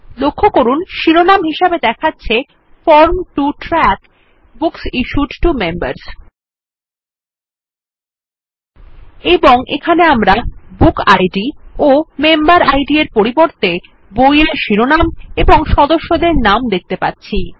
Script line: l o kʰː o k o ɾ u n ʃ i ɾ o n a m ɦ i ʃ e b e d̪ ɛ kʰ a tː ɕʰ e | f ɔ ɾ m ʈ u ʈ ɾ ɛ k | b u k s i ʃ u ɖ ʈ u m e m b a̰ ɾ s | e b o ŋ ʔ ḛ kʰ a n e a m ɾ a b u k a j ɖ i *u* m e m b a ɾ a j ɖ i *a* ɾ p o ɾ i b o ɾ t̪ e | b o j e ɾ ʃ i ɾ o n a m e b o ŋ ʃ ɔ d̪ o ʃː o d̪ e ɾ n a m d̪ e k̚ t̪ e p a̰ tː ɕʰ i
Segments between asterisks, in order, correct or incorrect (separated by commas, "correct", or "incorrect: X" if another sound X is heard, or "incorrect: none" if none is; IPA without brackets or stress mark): incorrect: o, incorrect: e